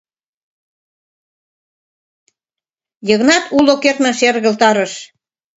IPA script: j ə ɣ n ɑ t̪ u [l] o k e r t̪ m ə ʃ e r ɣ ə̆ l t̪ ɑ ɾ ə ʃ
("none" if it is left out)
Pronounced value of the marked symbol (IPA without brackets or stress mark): l